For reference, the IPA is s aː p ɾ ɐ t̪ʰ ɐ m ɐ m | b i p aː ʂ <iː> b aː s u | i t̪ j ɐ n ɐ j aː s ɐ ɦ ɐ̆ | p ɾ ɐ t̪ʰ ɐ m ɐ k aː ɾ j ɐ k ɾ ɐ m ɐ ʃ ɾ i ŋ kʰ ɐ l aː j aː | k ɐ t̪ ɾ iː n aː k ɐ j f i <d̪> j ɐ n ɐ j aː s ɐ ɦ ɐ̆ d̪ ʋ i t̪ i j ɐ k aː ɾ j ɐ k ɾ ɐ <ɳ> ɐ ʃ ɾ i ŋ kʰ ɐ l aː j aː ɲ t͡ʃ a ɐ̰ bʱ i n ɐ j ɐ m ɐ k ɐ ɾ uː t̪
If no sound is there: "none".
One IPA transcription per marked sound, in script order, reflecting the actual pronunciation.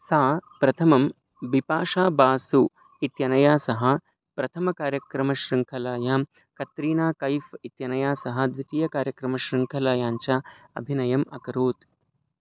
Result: aː, t̪, m

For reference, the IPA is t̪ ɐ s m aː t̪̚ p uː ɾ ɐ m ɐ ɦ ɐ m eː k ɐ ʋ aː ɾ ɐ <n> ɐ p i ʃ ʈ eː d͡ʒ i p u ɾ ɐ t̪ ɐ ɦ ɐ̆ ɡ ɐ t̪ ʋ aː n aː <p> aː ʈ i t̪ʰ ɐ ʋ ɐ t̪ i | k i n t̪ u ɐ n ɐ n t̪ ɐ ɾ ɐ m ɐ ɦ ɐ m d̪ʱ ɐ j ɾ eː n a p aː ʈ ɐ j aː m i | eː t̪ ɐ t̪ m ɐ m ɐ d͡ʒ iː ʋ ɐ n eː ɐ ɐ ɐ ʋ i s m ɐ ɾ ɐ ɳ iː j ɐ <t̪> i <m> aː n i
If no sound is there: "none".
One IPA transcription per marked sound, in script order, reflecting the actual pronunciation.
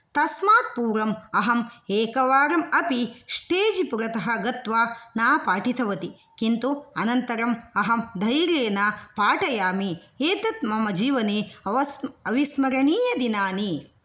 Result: m, p, d̪, n

